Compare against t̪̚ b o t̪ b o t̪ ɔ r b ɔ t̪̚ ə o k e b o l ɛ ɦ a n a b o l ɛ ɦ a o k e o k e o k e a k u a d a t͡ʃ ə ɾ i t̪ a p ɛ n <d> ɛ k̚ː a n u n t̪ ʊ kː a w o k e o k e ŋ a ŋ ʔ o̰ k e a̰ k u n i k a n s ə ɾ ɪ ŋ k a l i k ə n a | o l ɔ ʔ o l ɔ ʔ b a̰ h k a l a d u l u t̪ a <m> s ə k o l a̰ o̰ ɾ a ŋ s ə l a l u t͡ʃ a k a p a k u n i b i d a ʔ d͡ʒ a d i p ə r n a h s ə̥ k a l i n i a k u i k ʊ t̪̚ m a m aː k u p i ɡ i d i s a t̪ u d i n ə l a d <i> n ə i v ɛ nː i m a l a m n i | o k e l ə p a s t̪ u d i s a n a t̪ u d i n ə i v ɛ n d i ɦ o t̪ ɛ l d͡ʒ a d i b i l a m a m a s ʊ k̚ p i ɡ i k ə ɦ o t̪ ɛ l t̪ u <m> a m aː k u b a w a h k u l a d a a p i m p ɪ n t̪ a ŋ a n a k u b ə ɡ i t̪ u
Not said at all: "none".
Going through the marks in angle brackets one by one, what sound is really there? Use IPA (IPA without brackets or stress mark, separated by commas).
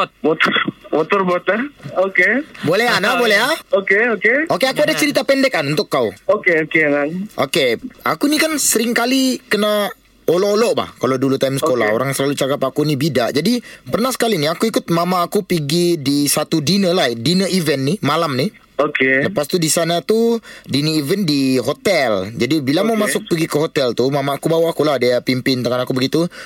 d, m, i, m